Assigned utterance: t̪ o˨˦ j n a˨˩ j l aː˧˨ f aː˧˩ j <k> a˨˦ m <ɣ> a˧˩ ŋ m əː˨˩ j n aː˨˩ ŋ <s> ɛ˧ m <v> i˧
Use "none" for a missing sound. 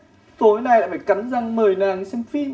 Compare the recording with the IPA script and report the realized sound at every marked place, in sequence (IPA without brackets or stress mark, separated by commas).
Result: k, z, s, f